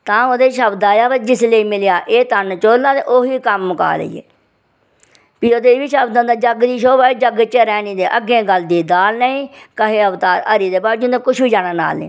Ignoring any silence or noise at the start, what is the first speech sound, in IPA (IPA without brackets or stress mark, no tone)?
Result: t̪